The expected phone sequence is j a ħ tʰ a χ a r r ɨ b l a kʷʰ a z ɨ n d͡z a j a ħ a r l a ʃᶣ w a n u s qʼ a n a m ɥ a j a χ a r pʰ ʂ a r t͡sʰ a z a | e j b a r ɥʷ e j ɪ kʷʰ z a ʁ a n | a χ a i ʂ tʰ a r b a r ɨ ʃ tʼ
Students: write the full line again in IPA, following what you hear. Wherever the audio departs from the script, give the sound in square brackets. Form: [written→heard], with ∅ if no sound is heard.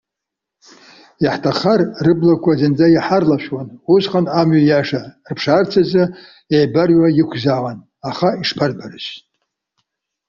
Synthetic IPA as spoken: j a ħ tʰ a χ a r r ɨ b l a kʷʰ a z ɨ n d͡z a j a ħ a r l a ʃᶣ w a n u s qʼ a n a m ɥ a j a [χ→ʂ] a r pʰ ʂ a r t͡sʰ a z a | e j b a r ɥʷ [e→a] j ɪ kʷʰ z a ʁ a n | a χ a i ʂ [tʰ→pʰ] a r b a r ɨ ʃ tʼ